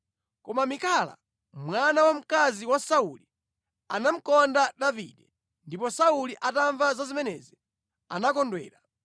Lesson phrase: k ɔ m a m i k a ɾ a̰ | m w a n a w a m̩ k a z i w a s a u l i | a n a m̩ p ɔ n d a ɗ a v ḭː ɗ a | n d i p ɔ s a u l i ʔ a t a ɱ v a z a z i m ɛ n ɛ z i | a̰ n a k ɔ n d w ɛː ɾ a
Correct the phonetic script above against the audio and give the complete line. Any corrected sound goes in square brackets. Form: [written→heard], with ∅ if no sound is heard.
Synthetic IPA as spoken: k ɔ m a m i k a [ɾ→l] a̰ | m w a n a w a m̩ k a z i w a s a u l i | a n a m̩ [p→k] ɔ n d a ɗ a v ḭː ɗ [a→ɛ] | n d i p ɔ s a u l i ʔ a t a ɱ v a z a z i m ɛ n ɛ z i | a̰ n a k ɔ n d w ɛː ɾ a